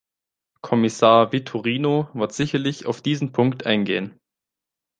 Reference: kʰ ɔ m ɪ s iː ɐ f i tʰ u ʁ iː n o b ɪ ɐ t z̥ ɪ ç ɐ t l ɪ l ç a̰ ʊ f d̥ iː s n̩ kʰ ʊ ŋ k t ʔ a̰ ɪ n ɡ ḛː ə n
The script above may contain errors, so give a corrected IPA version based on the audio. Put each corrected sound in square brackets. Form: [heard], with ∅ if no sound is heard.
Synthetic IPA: kʰ ɔ m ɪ s [aː] ɐ [v] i tʰ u ʁ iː n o [v] ɪ ɐ t z̥ ɪ ç ɐ [∅] l ɪ [∅] ç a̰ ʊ f d̥ iː [z] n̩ [pʰ] ʊ ŋ k t ʔ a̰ ɪ n ɡ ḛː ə n